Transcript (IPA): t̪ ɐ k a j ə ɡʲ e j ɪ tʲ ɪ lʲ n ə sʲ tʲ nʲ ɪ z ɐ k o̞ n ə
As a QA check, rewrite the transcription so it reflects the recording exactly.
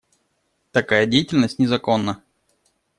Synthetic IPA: t̪ ɐ k a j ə dʲ e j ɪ tʲ ɪ lʲ n ə sʲ tʲ nʲ ɪ z ɐ k o̞ nː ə

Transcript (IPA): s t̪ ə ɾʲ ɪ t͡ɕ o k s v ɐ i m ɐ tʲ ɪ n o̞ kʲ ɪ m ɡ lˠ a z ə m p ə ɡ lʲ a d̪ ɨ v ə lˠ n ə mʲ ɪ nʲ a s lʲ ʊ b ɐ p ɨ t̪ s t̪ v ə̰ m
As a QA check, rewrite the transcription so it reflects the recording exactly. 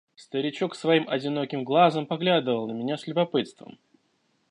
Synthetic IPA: s t̪ ə ɾʲ ɪ t͡ɕ o k s v ɐ i m ɐ dʲ ɪ n o̞ kʲ ɪ m ɡ lˠ a z ə m p ɐ ɡ lʲ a d̪ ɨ v ə lˠ n ə mʲ ɪ nʲ a s lʲ ʊ b ɐ p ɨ t̪ s t̪ v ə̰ m

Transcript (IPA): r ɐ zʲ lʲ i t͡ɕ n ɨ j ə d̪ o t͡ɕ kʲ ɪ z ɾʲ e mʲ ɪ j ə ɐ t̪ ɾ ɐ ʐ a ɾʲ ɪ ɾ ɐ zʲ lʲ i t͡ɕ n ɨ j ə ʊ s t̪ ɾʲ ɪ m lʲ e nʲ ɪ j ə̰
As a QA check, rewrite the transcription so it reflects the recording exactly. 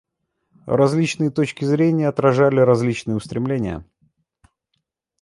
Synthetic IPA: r ɐ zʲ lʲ i t͡ɕ n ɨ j ə t̪ o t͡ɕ kʲ ɪ z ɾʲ e nʲ ɪ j ə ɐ t̪ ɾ ɐ ʐ a lʲ ɪ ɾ ɐ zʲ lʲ i t͡ɕ n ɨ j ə ʊ s t̪ ɾʲ ɪ m lʲ e nʲ ɪ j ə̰

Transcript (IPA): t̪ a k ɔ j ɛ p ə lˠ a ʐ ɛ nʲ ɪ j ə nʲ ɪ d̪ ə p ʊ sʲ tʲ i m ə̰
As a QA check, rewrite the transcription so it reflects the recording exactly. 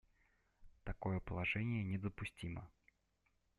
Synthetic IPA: t̪ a k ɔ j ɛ p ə lˠ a ʐ ɛ nʲ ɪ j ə nʲ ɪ d̪ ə p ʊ sʲ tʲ i m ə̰

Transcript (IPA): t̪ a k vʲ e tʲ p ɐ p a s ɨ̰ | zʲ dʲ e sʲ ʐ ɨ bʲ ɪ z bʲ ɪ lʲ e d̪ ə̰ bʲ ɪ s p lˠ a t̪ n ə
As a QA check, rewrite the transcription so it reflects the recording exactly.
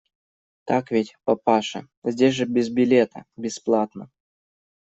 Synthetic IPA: t̪ a k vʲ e tʲ p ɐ p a ʂ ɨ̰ | zʲ dʲ e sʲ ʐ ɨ bʲ ɪ z bʲ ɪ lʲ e t̪ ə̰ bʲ ɪ s p lˠ a t̪ n ə

